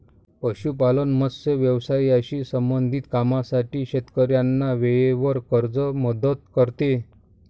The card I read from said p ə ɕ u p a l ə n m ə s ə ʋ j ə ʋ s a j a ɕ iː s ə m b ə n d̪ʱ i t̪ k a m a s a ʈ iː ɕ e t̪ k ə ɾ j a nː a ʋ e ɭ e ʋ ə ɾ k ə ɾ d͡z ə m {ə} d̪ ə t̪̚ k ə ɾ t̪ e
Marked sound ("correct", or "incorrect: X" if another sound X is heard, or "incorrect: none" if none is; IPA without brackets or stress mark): correct